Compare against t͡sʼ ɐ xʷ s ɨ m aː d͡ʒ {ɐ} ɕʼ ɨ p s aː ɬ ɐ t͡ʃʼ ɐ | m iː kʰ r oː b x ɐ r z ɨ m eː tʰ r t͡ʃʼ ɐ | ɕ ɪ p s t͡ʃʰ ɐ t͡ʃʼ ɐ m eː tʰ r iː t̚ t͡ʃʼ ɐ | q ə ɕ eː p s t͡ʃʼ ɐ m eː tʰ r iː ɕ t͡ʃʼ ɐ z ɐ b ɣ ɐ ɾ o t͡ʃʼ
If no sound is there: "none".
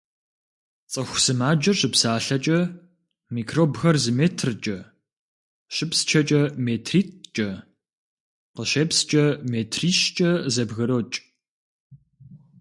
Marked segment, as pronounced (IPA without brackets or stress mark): ɐ